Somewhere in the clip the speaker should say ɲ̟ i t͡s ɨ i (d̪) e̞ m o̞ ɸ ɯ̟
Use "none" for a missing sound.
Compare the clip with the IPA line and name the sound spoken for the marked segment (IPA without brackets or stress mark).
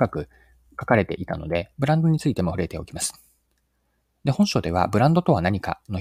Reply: t̪